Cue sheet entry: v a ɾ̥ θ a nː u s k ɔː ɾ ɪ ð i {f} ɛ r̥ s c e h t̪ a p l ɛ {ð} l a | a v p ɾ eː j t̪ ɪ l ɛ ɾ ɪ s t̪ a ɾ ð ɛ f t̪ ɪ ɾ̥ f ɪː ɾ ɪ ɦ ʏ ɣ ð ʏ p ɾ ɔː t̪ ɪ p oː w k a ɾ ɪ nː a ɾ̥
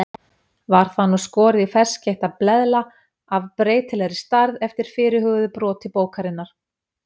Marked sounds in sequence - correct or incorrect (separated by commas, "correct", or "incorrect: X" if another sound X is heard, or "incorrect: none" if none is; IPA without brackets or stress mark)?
correct, correct